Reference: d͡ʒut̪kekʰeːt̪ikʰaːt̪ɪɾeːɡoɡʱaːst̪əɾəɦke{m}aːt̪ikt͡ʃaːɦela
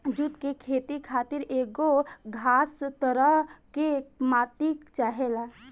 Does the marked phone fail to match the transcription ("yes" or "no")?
no